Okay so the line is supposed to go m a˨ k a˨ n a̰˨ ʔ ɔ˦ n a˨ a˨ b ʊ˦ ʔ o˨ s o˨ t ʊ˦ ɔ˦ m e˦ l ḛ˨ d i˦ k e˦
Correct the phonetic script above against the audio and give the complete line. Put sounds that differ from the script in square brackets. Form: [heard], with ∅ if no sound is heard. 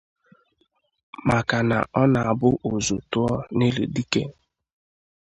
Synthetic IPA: m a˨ k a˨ n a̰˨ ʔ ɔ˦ n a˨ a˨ b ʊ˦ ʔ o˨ [z] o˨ t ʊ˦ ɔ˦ [n] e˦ l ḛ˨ d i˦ k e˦